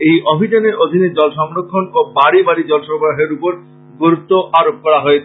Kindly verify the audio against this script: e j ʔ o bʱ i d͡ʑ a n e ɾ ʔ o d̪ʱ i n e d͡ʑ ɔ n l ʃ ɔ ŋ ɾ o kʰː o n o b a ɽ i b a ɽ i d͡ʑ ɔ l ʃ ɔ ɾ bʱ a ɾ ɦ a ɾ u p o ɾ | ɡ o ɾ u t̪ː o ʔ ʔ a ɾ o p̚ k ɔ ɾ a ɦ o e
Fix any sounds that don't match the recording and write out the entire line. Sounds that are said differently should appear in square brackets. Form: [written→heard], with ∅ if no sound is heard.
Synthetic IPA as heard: e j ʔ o bʱ i d͡ʑ a n e ɾ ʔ o d̪ʱ i n e d͡ʑ ɔ [n→∅] l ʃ ɔ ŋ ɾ o kʰː o n o b a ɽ i b a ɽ i d͡ʑ ɔ l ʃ ɔ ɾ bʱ a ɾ ɦ [a→e] ɾ u p o ɾ | ɡ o ɾ u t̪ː o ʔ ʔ a ɾ o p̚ k ɔ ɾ a ɦ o e

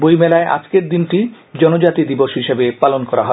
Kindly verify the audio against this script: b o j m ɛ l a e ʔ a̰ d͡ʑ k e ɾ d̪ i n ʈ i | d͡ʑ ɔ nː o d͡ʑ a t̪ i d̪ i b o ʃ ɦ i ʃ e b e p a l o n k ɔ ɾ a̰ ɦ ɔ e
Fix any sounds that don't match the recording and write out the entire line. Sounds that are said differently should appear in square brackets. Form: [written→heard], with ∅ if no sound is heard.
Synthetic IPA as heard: b o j m ɛ l a e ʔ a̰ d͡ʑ k e ɾ d̪ i n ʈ i | d͡ʑ ɔ [nː→n] o d͡ʑ a t̪ i d̪ i b o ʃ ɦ i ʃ e b e p a l o n k ɔ ɾ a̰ ɦ ɔ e

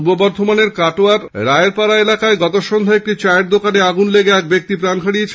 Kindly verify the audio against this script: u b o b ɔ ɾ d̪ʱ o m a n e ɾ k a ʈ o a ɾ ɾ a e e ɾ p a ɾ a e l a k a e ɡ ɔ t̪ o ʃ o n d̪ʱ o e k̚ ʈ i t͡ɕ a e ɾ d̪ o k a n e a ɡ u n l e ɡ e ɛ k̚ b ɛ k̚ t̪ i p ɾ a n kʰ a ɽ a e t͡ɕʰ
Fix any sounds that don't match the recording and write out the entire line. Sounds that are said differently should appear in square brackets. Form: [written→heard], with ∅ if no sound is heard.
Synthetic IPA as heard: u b o b ɔ ɾ d̪ʱ o m a n e ɾ k a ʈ o a ɾ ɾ a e e ɾ p a ɾ a e l a k a e ɡ ɔ t̪ o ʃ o n d̪ʱ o e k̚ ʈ i t͡ɕ a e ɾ d̪ o k a n e a ɡ u n l e ɡ e ɛ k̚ b [ɛ→e] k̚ t̪ i p ɾ a n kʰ a ɽ [a→i] e t͡ɕʰ

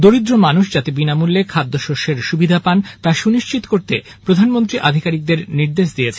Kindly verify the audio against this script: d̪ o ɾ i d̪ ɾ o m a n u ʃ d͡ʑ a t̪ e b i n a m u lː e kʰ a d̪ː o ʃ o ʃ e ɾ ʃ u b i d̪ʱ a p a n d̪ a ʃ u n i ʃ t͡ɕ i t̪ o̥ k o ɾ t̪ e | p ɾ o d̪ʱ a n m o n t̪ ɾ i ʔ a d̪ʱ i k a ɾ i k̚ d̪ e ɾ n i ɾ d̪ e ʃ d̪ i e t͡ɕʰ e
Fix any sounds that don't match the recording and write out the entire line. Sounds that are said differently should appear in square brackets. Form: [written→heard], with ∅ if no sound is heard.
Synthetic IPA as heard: d̪ o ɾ i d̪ ɾ o m a n u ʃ d͡ʑ a t̪ e b i n a m u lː e kʰ a d̪ː o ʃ o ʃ e ɾ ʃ u b i d̪ʱ a p a n [d̪→t̪] a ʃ u n i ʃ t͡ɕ i t̪ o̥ k o ɾ t̪ e | p ɾ o d̪ʱ a n m o n t̪ ɾ i ʔ a d̪ʱ i k a ɾ i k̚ d̪ e ɾ n i ɾ d̪ e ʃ d̪ i e t͡ɕʰ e

